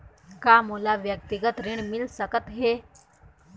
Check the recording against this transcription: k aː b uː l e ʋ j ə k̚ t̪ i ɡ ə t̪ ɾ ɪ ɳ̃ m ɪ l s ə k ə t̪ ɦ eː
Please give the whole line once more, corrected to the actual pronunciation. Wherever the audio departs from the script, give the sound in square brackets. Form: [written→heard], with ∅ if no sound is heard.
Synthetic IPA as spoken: k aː [b→m] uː l [e→a] ʋ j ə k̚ t̪ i ɡ ə t̪ ɾ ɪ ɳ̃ m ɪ l s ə k ə t̪ ɦ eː